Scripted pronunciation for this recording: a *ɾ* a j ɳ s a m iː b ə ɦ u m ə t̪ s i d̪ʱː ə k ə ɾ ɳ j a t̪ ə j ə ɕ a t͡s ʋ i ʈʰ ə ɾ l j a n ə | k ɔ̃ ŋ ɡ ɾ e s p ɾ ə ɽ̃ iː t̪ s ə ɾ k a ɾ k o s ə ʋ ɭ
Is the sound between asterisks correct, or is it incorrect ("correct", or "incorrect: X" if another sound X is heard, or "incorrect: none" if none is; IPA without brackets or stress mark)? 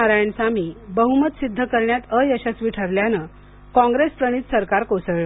correct